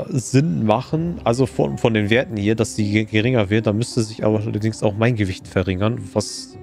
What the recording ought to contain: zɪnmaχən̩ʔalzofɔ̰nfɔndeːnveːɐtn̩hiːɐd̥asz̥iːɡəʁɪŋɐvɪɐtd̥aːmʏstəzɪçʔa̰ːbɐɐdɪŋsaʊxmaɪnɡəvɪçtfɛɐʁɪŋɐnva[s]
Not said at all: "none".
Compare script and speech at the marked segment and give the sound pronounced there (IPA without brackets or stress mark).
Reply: s